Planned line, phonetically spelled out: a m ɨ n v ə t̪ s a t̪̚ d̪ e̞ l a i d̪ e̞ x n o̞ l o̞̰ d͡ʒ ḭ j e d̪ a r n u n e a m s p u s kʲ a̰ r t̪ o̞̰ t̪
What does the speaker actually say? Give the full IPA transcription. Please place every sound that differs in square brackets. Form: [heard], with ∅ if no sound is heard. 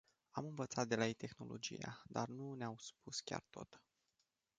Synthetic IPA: a m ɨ n v ə t̪ s a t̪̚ d̪ e̞ l a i [t̪] e̞ x n o̞ l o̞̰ d͡ʒ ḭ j [a] d̪ a r n u n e a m s p u s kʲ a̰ r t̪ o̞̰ t̪